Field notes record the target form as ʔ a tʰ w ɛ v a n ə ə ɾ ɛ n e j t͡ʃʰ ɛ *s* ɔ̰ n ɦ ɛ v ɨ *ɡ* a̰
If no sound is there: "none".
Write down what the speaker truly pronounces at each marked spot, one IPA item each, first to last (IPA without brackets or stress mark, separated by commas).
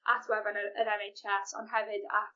s, d